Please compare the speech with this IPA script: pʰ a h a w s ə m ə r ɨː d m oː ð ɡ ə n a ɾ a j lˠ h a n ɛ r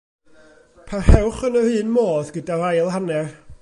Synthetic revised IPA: pʰ a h ɛ w χ ə n ə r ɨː n m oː ð ɡ ə d a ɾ a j lˠ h a n ɛ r